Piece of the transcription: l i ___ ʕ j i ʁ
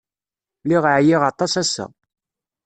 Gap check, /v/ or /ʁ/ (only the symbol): ʁ